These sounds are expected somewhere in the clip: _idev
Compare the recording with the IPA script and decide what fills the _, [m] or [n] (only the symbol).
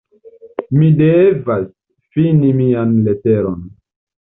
m